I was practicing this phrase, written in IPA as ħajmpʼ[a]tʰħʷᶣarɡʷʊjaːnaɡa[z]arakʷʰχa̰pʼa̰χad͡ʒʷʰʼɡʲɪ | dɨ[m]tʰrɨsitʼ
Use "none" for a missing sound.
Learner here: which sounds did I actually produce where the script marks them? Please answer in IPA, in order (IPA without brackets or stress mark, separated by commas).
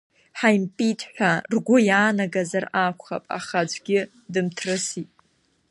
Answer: i, z, m